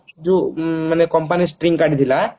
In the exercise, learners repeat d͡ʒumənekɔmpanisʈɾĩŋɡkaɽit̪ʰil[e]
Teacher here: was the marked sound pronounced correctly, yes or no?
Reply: no